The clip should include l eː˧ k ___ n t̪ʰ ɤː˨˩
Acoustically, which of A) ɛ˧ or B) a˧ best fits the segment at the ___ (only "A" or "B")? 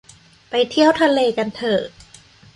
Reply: B